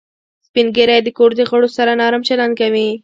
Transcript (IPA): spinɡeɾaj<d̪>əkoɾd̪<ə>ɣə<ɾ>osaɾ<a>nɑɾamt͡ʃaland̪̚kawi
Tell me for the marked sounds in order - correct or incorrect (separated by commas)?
correct, correct, incorrect, correct